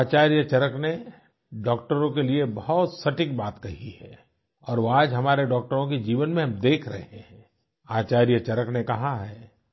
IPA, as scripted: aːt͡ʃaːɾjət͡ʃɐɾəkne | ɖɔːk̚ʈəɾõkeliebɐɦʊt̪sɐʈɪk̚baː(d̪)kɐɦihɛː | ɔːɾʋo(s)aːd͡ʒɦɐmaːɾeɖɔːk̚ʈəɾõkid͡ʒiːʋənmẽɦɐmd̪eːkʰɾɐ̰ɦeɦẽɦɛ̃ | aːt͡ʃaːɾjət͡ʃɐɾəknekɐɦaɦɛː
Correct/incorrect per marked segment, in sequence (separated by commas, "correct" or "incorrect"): incorrect, incorrect